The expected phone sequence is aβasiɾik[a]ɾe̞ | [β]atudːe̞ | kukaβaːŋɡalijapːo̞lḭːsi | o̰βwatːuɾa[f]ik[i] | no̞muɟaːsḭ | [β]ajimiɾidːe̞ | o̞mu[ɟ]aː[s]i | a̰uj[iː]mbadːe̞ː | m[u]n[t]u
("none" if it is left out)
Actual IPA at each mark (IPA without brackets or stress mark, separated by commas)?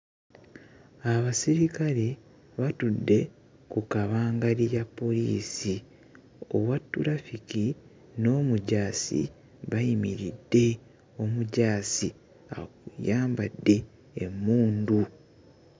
a, β, f, i, β, ɟ, s, aː, uː, d